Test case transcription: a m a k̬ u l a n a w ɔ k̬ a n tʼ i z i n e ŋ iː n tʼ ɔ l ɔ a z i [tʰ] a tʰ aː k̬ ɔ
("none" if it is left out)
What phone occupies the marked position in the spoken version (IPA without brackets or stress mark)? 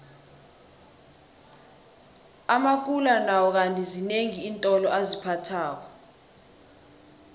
pʰ